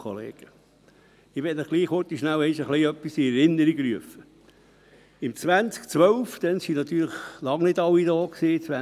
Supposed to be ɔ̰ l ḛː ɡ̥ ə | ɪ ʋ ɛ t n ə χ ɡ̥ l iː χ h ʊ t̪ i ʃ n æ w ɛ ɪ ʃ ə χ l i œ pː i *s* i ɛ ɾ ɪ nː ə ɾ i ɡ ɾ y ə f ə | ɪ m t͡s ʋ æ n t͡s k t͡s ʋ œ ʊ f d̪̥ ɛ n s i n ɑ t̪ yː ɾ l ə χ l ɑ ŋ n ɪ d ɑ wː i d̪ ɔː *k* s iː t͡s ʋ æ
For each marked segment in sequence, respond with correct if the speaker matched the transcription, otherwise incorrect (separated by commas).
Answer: correct, correct